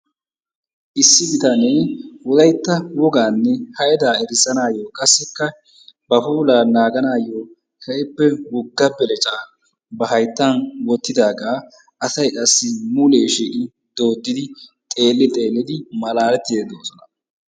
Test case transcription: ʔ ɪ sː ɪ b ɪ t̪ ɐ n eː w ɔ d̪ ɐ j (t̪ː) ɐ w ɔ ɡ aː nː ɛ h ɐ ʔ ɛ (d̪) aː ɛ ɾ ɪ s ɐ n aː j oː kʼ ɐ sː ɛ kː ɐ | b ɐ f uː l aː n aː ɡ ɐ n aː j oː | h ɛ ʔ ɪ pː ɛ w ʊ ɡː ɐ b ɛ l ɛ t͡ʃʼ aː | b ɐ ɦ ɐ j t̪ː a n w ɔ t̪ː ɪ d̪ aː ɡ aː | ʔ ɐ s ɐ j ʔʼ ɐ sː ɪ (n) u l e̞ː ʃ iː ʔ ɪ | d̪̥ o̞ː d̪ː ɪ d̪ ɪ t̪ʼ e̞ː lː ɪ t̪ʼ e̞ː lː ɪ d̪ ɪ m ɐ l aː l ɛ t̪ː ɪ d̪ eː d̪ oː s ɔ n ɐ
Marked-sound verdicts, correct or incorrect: correct, correct, incorrect: m

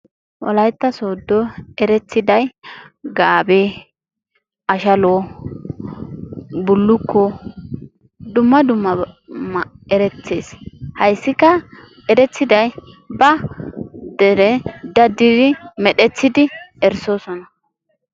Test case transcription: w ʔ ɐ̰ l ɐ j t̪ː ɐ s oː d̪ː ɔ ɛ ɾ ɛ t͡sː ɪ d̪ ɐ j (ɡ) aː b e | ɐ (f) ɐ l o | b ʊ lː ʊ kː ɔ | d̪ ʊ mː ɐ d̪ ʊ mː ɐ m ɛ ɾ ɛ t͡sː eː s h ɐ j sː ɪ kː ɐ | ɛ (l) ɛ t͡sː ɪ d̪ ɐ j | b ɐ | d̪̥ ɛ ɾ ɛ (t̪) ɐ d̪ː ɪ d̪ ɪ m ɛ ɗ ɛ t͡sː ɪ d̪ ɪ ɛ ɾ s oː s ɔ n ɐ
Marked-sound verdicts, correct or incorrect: correct, incorrect: ʃ, incorrect: ɾ, incorrect: d̪

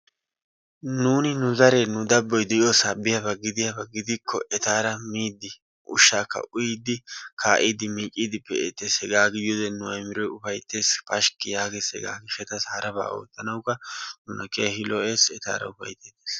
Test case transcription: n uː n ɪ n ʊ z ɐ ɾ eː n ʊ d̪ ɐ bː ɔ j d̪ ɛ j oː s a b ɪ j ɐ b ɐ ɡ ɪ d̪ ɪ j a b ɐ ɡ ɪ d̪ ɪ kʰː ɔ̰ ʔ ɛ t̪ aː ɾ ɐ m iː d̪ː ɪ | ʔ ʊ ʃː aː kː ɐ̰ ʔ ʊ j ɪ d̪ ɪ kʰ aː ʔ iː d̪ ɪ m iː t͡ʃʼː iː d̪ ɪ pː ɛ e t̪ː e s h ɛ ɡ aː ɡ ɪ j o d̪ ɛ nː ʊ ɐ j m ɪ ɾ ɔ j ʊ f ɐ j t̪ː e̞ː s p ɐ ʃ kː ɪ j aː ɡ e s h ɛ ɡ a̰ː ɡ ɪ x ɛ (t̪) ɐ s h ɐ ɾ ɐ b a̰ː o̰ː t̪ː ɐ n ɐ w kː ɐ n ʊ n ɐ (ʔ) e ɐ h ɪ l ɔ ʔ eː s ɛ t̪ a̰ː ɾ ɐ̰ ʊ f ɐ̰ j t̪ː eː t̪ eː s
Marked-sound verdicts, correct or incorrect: correct, incorrect: k

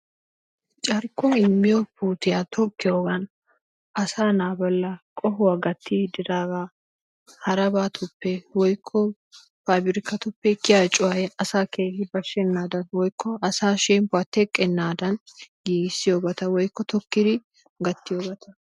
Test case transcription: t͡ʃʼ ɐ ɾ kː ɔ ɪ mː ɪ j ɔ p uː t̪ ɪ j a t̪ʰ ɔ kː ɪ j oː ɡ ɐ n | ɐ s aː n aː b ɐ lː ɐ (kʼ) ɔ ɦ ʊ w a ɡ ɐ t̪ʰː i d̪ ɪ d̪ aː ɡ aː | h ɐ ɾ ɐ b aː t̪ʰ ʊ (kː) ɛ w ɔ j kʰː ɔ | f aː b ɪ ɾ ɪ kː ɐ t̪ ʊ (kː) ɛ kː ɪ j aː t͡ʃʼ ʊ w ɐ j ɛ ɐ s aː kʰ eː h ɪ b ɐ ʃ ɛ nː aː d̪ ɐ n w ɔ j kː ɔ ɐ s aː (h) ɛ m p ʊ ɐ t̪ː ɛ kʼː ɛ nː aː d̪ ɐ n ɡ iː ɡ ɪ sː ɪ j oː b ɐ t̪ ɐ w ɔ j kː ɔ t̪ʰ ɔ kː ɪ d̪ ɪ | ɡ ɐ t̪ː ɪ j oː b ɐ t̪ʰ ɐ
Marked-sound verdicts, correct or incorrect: correct, incorrect: pː, incorrect: pː, incorrect: ʃ

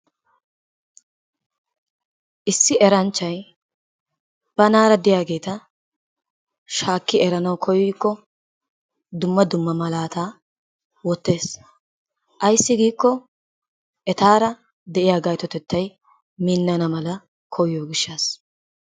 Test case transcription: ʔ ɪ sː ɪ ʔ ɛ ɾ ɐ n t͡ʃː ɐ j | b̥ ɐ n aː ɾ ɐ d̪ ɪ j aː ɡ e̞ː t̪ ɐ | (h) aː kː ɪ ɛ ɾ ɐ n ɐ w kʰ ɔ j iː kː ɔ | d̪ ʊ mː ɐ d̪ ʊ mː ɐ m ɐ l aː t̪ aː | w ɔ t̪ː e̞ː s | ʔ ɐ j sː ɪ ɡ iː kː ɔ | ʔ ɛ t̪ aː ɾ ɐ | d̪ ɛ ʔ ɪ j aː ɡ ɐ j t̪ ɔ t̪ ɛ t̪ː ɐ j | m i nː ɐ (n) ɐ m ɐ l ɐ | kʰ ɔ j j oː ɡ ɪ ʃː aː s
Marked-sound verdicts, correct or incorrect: incorrect: ʃ, correct

